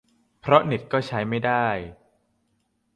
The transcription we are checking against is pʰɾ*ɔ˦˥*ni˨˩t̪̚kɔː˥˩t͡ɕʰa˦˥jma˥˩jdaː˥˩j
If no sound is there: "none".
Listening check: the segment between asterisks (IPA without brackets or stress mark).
ɔ˦˥